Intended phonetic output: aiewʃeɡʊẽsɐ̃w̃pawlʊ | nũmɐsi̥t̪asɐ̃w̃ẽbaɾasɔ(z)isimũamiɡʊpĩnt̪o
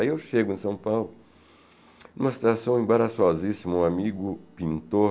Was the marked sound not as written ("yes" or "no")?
no